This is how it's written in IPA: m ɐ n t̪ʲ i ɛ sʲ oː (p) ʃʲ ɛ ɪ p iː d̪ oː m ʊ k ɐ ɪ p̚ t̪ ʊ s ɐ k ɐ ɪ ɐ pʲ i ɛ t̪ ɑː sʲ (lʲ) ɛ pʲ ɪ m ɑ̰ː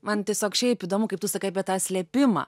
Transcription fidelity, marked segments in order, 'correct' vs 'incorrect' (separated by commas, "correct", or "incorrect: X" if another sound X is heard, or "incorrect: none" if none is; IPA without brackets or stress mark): incorrect: k, correct